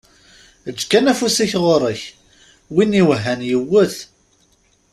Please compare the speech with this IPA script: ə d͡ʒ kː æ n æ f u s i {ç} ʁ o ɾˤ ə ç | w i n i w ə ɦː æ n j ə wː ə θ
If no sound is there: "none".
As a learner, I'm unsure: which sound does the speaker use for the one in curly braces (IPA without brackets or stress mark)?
ç